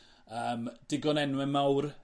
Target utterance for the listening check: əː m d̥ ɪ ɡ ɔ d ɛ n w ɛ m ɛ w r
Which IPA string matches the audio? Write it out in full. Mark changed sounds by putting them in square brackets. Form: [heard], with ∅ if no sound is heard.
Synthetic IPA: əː m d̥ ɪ ɡ ɔ [n] ɛ n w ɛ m [a] w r